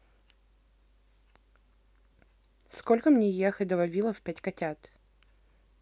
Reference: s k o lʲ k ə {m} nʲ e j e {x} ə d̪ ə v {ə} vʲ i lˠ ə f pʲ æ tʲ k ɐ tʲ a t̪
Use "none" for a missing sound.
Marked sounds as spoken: m, x, ɐ

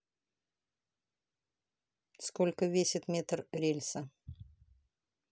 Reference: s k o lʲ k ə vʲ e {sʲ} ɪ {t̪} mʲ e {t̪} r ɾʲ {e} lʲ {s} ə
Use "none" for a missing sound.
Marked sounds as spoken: sʲ, t̪, t̪, e, s

